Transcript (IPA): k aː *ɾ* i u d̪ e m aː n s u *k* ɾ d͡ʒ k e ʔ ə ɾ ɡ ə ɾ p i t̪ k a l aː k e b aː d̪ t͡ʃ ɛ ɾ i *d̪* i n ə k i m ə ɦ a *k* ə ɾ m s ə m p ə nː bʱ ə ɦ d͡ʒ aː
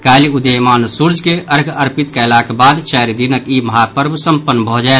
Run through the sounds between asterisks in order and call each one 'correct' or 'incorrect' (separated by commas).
incorrect, incorrect, correct, incorrect